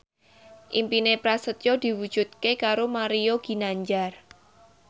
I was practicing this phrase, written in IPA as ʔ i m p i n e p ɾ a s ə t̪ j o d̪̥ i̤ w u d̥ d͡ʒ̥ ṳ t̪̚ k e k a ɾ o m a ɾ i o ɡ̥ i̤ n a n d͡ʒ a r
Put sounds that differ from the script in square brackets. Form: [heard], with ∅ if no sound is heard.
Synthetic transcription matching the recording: ʔ i m p i n e p ɾ a s ə t̪ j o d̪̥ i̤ w u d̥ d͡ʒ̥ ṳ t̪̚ k e k a ɾ o m a ɾ i o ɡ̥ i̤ n a [ɲ] d͡ʒ a r